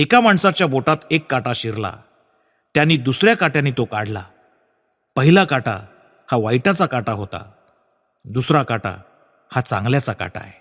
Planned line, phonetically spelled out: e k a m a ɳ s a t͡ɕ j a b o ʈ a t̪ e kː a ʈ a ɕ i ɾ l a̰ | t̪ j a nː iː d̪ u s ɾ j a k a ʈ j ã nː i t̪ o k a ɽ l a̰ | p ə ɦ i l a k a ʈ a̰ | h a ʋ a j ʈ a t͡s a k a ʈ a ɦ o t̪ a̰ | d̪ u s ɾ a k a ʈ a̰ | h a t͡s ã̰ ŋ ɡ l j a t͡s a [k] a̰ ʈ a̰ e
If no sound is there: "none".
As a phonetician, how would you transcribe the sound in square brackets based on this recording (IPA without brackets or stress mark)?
k